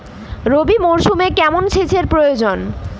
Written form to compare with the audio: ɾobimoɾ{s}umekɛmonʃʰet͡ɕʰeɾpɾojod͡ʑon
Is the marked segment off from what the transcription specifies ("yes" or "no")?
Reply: yes